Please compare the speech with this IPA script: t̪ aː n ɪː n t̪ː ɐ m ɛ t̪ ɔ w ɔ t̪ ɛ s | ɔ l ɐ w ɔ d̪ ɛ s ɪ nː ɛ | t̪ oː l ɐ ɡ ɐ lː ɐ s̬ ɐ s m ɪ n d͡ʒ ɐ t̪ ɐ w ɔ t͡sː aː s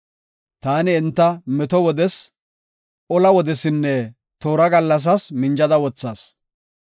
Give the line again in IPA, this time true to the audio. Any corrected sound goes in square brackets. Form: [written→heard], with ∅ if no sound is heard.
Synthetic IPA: t̪ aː n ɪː n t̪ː ɐ m ɛ t̪ ɔ w ɔ [t̪→d̪] ɛ s | ɔ l ɐ w ɔ d̪ ɛ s ɪ nː ɛ | t̪ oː [l→ɾ] ɐ ɡ ɐ lː ɐ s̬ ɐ s m ɪ n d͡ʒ ɐ [t̪→d̪] ɐ w ɔ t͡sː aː s

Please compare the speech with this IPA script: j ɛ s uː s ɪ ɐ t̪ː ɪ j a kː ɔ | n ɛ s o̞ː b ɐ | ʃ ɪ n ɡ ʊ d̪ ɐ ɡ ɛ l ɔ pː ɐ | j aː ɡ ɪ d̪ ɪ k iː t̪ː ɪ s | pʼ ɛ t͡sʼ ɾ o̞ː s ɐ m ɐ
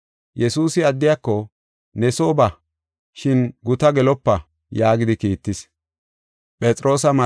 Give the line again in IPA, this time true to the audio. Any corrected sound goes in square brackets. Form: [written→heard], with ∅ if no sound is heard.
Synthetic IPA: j ɛ s uː s ɪ ɐ [t̪ː→d̪ː] ɪ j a kː ɔ | n ɛ s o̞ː b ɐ | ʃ ɪ n ɡ ʊ [d̪→t̪] ɐ ɡ ɛ l ɔ pː ɐ | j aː ɡ ɪ d̪ ɪ k iː t̪ː ɪ s | pʼ ɛ t͡sʼ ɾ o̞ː s ɐ m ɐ

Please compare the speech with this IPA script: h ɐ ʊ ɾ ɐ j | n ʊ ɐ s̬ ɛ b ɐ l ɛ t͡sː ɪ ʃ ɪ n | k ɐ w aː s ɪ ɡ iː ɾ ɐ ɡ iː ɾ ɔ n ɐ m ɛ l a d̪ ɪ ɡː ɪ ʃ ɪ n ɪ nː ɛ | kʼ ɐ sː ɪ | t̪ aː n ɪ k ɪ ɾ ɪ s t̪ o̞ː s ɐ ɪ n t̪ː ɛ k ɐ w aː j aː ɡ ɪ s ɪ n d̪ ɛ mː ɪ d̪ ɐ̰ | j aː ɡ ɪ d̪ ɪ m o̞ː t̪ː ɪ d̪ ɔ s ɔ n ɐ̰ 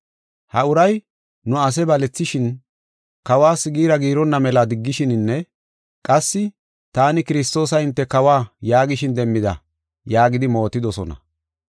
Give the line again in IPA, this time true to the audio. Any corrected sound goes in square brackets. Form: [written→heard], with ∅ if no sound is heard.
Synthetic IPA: h ɐ ʊ ɾ ɐ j | n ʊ ɐ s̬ ɛ b ɐ l ɛ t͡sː ɪ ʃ ɪ n | k ɐ w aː s ɪ ɡ iː ɾ ɐ ɡ iː ɾ ɔ [n→nː] ɐ m ɛ l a d̪ ɪ ɡː ɪ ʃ ɪ n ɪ nː ɛ | kʼ ɐ sː ɪ | t̪ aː n ɪ k ɪ ɾ ɪ s t̪ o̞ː s ɐ ɪ n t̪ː ɛ k ɐ w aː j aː ɡ ɪ [s→ʃ] ɪ n d̪ ɛ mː ɪ d̪ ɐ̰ | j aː ɡ ɪ d̪ ɪ m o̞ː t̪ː ɪ d̪ ɔ s ɔ n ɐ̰

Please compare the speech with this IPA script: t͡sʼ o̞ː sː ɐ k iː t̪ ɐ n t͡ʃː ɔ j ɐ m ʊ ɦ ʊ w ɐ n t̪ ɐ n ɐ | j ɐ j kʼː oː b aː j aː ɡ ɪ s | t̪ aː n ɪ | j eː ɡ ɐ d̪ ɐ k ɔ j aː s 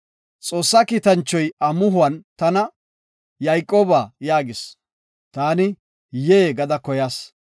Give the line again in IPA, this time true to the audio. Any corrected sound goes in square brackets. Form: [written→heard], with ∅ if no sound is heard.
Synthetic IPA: t͡sʼ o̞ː sː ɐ k iː t̪ ɐ n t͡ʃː ɔ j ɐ m ʊ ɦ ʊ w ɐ n t̪ ɐ n ɐ | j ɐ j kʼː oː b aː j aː ɡ ɪ s | t̪ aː n ɪ | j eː ɡ ɐ d̪ ɐ k ɔ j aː s

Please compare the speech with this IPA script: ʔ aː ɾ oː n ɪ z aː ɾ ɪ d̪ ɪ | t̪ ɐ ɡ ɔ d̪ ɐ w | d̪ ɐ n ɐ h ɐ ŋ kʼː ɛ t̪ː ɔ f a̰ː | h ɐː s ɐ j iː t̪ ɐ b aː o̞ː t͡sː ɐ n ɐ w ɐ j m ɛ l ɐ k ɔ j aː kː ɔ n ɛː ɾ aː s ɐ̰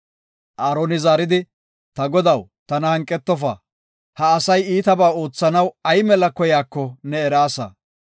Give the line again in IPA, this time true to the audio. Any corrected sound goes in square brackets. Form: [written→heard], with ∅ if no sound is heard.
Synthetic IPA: ʔ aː ɾ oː n ɪ z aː ɾ ɪ d̪ ɪ | t̪ ɐ ɡ ɔ d̪ ɐ w | [d̪→t̪] ɐ n ɐ h ɐ ŋ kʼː ɛ t̪ː ɔ f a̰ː | h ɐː s ɐ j iː t̪ ɐ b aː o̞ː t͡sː ɐ n ɐ w ɐ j m ɛ l ɐ k ɔ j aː kː ɔ n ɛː ɾ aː s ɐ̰

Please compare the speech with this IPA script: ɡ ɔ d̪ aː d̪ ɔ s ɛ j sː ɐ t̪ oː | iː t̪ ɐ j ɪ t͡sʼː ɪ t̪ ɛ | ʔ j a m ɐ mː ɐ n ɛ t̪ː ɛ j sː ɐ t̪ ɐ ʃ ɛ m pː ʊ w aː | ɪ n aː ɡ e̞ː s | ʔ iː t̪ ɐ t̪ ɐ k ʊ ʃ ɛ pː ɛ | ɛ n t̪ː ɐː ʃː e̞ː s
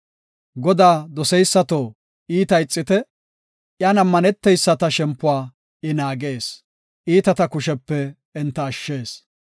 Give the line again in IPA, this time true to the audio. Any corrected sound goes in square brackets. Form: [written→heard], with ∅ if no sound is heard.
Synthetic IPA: ɡ ɔ d̪ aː d̪ ɔ s ɛ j sː ɐ t̪ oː | iː t̪ ɐ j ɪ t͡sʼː ɪ t̪ ɛ | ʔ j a [m→n] ɐ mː ɐ n ɛ t̪ː ɛ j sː ɐ t̪ ɐ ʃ ɛ m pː ʊ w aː | ɪ n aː ɡ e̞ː s | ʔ iː t̪ ɐ t̪ ɐ k ʊ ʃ ɛ pː ɛ | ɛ n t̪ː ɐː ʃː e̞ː s

